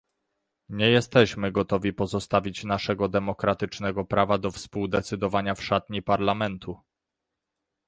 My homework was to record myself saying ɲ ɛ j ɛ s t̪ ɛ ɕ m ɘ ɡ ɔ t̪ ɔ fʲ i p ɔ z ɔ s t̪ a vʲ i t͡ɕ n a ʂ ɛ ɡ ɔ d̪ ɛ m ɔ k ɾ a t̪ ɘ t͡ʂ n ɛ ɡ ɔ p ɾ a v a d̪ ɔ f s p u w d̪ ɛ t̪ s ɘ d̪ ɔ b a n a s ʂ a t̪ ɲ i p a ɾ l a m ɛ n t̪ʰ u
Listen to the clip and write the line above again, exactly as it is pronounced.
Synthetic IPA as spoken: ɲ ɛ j ɛ s t̪ ɛ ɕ m ɘ ɡ ɔ t̪ ɔ vʲ i p ɔ z ɔ s t̪ a vʲ i t͡ɕ n a ʂ ɛ ɡ ɔ d̪ ɛ m ɔ k ɾ a t̪ ɘ t͡ʂ n ɛ ɡ ɔ p ɾ a v a d̪ ɔ f s p u w d̪ ɛ t̪ s ɘ d̪ ɔ v a ɲ a f ʂ a t̪ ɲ i p a ɾ l a m ɛ n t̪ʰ u

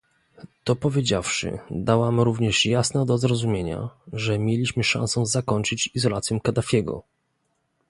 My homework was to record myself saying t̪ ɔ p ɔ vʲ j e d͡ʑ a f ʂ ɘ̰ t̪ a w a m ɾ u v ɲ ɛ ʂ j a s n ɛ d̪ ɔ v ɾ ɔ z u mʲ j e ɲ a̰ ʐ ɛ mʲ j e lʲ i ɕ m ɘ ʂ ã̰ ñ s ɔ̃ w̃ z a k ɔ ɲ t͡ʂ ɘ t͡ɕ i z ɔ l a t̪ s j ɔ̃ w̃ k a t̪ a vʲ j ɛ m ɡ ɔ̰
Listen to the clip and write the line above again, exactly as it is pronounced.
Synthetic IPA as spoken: t̪ ɔ p ɔ vʲ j e d͡ʑ a f ʂ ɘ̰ d̪ a w a m ɾ u v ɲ ɛ ʂ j a s n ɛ d̪ ɔ z ɾ ɔ z u mʲ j e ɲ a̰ ʐ ɛ mʲ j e lʲ i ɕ m ɘ ʂ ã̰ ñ s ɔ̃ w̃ z a k ɔ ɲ t͡ʂ ɘ t͡ɕ i z ɔ l a t̪ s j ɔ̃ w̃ k a d̪ a fʲ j ɛ ɡ ɔ̰

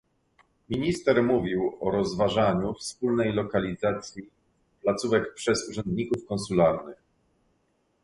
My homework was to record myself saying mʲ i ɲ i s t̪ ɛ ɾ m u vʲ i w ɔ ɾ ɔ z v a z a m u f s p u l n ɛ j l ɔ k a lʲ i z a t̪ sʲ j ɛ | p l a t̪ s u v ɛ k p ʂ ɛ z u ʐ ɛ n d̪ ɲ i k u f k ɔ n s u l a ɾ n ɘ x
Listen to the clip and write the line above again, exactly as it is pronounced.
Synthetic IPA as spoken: mʲ i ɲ i s t̪ ɛ ɾ m u vʲ i w ɔ ɾ ɔ z v a ʐ a ɲ u f s p u l n ɛ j l ɔ k a lʲ i z a t̪ sʲ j i | p l a t̪ s u v ɛ k p ʂ ɛ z u ʐ ɛ n d̪ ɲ i k u f k ɔ n s u l a ɾ n ɘ x

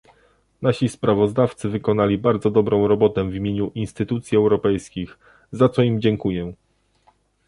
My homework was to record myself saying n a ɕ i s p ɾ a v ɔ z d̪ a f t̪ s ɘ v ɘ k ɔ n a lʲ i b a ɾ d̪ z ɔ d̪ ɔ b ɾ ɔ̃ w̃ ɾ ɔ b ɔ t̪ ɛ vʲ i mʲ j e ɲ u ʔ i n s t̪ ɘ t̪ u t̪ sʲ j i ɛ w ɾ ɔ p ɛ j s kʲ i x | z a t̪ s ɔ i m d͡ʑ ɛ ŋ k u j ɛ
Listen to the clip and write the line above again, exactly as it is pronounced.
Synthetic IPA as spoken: n a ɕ i s p ɾ a v ɔ z d̪ a f t̪ s ɘ v ɘ k ɔ n a lʲ i b a ɾ d̪ z ɔ d̪ ɔ b ɾ ɔ̃ w̃ ɾ ɔ b ɔ t̪ ɛ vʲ i mʲ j e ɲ u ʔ i n s t̪ ɘ t̪ u t̪ sʲ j i ɛ w ɾ ɔ p ɛ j s kʲ i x | z a t̪ s ɔ i m d͡ʑ ɛ ŋ k u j ɛ

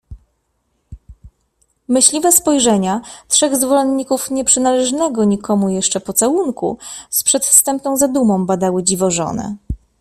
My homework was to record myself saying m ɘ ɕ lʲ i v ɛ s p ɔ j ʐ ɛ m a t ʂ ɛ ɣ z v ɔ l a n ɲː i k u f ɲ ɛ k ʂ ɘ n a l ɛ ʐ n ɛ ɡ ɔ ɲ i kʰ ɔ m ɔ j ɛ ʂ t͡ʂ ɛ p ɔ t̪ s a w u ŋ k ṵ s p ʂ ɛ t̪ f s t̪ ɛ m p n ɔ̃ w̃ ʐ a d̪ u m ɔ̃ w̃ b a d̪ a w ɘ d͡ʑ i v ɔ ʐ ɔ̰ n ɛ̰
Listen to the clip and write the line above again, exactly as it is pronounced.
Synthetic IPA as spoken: m ɘ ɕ lʲ i v ɛ s p ɔ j ʐ ɛ ɲ a t ʂ ɛ ɣ z v ɔ l ɛ n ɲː i k u f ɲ ɛ p ʂ ɘ n a l ɛ ʐ n ɛ ɡ ɔ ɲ i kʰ ɔ m u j ɛ ʂ t͡ʂ ɛ p ɔ t̪ s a w u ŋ k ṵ s p ʂ ɛ t̪ f s t̪ ɛ m p n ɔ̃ w̃ z a d̪ u m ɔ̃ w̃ b a d̪ a w ɘ d͡ʑ i v ɔ ʐ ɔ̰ n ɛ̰

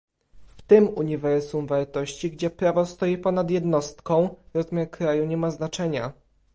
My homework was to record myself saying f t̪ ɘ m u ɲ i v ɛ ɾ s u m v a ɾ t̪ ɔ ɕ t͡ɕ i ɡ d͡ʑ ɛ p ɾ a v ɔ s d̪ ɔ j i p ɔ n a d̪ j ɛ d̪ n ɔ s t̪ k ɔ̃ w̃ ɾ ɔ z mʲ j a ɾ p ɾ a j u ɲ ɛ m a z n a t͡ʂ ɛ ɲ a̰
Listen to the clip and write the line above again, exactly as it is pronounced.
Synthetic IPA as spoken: f t̪ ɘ m u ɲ i v ɛ ɾ s u m v a ɾ t̪ ɔ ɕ t͡ɕ i ɡ d͡ʑ ɛ p ɾ a v ɔ s t̪ ɔ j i p ɔ n a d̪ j ɛ d̪ n ɔ s t̪ k ɔ̃ w̃ ɾ ɔ z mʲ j a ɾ k ɾ a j u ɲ ɛ m a z n a t͡ʂ ɛ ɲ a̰

